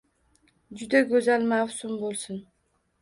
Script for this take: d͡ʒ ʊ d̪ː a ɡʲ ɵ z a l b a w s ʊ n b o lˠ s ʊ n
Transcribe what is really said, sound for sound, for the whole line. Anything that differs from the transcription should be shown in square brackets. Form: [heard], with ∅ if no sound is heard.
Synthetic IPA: d͡ʒ ʊ [d̪] a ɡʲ ɵ z a l [m] a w s ʊ [m] b o lˠ s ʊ n